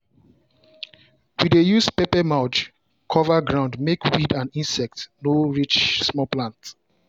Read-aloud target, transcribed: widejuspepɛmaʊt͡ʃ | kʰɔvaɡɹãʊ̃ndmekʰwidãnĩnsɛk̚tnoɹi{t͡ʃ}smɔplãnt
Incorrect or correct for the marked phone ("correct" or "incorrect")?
correct